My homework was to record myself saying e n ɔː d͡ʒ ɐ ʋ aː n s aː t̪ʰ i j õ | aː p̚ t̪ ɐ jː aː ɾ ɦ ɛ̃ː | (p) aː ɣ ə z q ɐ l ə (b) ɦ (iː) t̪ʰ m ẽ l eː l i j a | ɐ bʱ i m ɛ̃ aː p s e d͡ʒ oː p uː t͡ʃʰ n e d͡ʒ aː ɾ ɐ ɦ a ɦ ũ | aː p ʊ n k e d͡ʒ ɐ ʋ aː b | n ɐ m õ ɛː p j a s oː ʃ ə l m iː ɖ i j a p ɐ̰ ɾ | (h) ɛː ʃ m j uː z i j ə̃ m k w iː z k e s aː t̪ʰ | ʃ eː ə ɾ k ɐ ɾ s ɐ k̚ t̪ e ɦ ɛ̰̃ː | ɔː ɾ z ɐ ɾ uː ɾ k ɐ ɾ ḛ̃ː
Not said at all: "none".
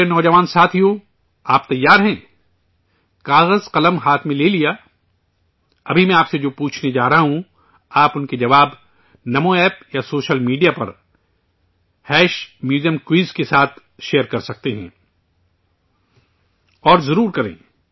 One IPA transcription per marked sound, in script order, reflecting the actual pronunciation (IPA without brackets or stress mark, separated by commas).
k, m, aː, h